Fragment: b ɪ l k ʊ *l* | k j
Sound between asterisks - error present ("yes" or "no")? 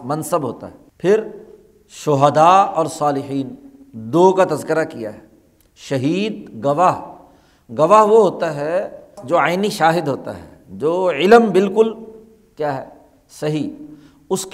no